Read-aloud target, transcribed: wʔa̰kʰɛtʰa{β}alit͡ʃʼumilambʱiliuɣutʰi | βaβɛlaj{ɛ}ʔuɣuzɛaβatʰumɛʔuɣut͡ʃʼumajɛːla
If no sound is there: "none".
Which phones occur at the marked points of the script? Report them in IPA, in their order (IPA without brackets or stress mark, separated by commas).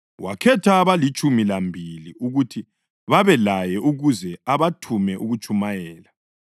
β, ɛ